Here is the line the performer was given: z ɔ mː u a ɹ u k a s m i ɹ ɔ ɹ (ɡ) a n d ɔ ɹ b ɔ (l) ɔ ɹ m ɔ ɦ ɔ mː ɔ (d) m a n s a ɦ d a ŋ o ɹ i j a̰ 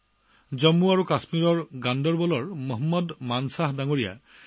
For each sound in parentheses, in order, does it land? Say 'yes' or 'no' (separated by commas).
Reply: yes, yes, yes